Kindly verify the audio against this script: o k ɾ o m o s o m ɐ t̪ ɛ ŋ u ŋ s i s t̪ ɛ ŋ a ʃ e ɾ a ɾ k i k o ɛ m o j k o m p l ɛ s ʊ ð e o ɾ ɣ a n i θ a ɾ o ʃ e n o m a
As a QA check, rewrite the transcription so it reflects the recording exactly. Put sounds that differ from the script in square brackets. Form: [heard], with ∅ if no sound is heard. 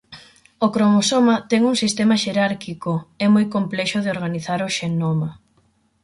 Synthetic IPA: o k ɾ o m o s o m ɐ t̪ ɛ ŋ u ŋ s i s t̪ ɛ [m] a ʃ e ɾ a ɾ k i k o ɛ m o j k o m p l ɛ [ʃ] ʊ ð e o ɾ ɣ a n i θ a ɾ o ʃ e n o m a